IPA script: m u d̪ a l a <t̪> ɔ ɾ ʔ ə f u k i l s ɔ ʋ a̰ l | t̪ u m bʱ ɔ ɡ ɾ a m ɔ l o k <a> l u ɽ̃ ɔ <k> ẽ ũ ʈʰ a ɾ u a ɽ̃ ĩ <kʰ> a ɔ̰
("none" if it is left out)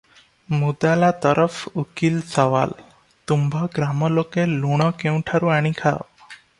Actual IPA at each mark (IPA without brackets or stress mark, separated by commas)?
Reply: t̪, e, k, kʰ